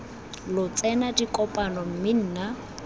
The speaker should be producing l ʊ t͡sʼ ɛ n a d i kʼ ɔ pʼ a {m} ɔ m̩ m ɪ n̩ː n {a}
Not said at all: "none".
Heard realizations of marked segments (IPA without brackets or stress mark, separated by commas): n, a